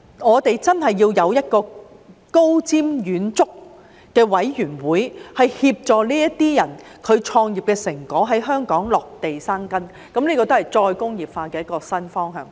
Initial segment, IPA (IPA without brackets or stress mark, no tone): ŋ